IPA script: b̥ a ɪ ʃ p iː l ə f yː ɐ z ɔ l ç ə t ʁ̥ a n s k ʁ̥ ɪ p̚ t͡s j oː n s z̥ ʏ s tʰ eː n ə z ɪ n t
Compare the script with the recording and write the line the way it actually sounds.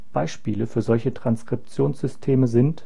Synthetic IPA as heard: b̥ a ɪ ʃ p iː l ə f yː ɐ z ɔ l ç ə t ʁ̥ a n s k ʁ̥ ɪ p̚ t͡s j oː n s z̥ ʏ s tʰ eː m ə z ɪ n t

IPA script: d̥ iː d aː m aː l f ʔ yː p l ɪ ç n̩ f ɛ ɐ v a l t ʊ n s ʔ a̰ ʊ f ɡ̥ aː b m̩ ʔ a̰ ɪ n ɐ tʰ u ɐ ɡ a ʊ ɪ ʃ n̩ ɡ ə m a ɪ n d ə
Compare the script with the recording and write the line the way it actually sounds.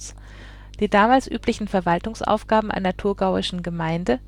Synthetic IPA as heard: d̥ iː d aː m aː l s ʔ yː p l ɪ ç n̩ f ɛ ɐ v a l t ʊ ŋ s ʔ a̰ ʊ f ɡ̥ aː b m̩ ʔ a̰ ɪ n ɐ tʰ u ɐ ɡ a ʊ ɪ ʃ n̩ ɡ ə m a ɪ n d ə

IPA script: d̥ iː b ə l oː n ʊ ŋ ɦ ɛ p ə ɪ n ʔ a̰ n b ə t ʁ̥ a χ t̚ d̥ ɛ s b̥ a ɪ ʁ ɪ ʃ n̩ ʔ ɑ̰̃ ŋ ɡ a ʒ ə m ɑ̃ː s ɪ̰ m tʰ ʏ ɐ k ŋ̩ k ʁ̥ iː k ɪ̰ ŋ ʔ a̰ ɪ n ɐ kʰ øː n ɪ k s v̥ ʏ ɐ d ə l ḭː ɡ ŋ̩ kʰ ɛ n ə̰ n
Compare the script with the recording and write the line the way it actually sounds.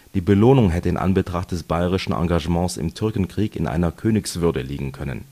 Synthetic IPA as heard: d̥ iː b ə l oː n ʊ ŋ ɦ ɛ t ə ɪ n ʔ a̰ n b ə t ʁ̥ a χ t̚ d̥ ɛ s b̥ a ɪ ʁ ɪ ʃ n̩ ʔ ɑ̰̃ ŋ ɡ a ʒ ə m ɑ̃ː s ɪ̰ m tʰ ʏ ɐ k n̩ k ʁ̥ iː k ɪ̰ n ʔ a̰ ɪ n ɐ kʰ øː n ɪ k s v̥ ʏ ɐ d ə l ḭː ɡ ŋ̩ kʰ œ n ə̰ n

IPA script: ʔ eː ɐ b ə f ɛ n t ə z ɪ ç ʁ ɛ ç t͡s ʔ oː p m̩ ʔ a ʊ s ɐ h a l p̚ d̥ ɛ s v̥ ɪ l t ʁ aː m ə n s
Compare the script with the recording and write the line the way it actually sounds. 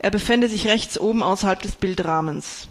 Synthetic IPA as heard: ʔ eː ɐ b ə f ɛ n d ə z ɪ ç ʁ ɛ ç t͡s ʔ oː b m̩ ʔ a ʊ s ɐ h a l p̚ d̥ ɛ s b̥ ɪ l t ʁ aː m ə n s

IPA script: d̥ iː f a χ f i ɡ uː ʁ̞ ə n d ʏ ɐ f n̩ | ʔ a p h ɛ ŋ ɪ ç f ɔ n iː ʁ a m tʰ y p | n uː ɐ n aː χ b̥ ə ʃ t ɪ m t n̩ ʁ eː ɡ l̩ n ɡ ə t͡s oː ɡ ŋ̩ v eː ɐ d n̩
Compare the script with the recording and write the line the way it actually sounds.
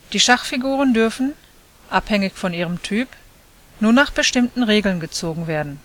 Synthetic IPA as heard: d̥ iː ʃ a χ f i ɡ uː ʁ̞ ə n d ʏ ɐ f n̩ | ʔ a p h ɛ ŋ ɪ ç f ɔ n iː ʁ ə m tʰ yː p | n uː ɐ n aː χ b̥ ə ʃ t ɪ m t n̩ ʁ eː ɡ l̩ n ɡ ə t͡s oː ɡ ŋ̩ v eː ɐ d n̩

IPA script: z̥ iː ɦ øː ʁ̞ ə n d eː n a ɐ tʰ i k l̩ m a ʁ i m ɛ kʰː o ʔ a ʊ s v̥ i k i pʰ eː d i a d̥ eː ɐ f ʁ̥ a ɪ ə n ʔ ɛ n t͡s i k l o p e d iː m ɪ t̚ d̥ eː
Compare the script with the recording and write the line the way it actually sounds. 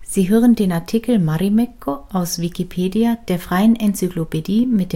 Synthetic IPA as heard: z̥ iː ɦ øː ʁ̞ ə n d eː n a ɐ tʰ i k l̩ m a ʁ i m ɛ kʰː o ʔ a ʊ s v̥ i k i pʰ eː d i a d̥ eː ɐ f ʁ̥ a ɪ ə n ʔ ɛ n t͡s y k l o p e d iː m ɪ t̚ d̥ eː

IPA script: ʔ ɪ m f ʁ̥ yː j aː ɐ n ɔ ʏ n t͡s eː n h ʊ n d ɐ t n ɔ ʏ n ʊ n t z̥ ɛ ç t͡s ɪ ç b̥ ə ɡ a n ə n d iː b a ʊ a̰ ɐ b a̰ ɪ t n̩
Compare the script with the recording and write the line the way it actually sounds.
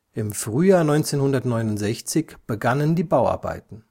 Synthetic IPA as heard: ʔ ɪ m f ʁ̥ yː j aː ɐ n ɔ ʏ n t͡s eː n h ʊ n d ɐ t n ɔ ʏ n ʊ n t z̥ ɛ ç t͡s ɪ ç b̥ ə ɡ a n ə n d iː b a ʊ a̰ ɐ b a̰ ɪ t n̩

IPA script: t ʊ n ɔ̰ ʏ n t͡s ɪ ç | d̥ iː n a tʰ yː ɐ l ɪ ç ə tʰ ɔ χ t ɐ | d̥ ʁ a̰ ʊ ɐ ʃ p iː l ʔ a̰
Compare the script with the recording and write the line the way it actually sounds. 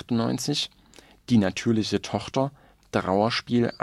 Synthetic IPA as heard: t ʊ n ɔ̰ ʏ n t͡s ɪ ç | d̥ iː n a tʰ yː ɐ l ɪ ç ə tʰ ɔ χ t ɐ | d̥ ʁ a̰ ʊ ɐ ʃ p iː l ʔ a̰

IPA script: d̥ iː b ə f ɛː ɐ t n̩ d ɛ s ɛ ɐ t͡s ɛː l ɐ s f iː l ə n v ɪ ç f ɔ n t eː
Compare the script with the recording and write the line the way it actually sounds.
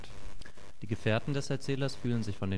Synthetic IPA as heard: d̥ iː ɡ ə f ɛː ɐ t n̩ d ɛ s ɛ ɐ t͡s ɛː l ɐ s f yː l ə n z ɪ ç f ɔ n d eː

